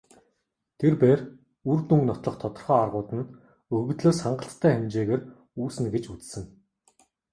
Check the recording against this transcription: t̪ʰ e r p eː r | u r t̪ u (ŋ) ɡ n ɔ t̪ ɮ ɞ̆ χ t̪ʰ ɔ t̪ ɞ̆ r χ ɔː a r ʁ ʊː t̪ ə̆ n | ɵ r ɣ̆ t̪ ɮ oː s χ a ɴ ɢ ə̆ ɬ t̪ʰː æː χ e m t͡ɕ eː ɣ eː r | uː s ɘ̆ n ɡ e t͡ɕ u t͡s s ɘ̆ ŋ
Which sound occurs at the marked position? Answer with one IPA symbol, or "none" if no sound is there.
ŋ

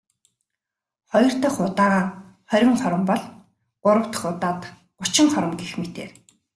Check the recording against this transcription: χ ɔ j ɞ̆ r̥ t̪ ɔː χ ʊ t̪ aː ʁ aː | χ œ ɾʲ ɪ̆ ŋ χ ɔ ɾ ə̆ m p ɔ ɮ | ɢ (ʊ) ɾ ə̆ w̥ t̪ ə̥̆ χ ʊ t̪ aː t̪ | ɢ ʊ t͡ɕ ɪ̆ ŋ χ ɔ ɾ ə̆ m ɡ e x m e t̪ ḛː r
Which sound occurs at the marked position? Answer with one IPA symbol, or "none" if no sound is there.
ʊ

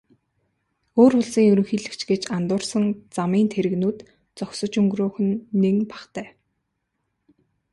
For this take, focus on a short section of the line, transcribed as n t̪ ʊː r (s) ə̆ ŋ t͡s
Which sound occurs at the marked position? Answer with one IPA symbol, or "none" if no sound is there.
s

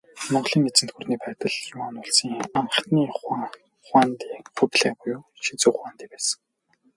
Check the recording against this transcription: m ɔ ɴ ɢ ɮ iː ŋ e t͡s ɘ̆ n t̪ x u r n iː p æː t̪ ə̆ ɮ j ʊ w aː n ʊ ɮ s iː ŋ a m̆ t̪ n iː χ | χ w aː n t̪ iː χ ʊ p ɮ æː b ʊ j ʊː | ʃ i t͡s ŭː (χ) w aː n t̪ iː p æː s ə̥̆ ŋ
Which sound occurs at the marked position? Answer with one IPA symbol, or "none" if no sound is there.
χ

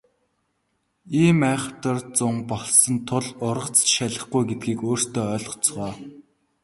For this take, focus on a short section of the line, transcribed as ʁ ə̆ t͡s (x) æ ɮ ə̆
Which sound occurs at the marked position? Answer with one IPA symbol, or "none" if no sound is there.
ʃ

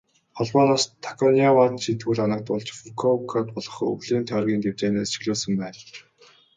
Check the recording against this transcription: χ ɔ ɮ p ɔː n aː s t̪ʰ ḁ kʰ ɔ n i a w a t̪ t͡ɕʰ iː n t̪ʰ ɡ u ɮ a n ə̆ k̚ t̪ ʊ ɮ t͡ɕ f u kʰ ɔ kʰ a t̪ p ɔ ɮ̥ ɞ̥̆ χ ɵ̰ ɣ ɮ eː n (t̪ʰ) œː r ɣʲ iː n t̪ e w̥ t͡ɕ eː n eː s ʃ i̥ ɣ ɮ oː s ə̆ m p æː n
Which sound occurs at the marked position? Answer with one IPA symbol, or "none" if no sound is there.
t̪ʰ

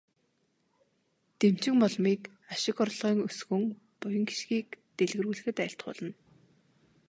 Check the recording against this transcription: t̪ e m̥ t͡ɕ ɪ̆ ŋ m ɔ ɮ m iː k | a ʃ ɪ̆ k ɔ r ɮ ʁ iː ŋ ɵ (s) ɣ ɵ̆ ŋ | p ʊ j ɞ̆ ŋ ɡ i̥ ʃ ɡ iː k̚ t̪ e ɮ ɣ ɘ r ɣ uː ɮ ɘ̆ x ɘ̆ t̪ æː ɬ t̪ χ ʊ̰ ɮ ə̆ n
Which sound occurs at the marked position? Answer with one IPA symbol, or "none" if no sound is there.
s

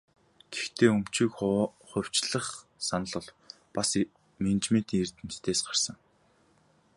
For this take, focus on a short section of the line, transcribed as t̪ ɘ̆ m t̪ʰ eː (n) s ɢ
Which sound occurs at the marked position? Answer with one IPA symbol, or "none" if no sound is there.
none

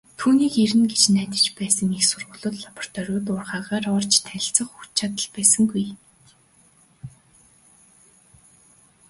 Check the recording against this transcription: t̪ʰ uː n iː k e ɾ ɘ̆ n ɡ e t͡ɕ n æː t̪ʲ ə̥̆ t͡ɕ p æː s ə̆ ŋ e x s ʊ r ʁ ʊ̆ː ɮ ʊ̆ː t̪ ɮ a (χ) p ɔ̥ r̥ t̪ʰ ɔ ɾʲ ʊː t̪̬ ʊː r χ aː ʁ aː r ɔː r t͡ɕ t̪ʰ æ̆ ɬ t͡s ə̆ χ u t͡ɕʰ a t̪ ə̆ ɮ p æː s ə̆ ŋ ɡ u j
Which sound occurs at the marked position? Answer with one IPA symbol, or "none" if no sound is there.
none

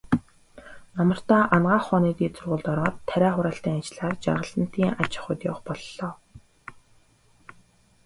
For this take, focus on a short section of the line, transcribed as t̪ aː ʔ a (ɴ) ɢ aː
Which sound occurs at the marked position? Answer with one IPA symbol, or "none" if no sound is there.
n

